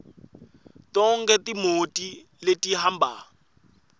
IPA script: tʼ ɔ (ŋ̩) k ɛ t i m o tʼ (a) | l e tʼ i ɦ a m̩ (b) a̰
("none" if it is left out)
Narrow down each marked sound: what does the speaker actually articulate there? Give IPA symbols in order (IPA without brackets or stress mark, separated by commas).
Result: ŋ̩, i, b